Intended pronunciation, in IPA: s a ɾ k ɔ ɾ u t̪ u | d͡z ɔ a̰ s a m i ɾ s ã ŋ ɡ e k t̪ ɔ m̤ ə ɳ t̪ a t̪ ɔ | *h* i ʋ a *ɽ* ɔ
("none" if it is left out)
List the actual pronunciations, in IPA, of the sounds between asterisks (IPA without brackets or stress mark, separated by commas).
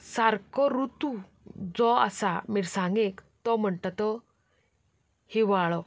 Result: h, ɭ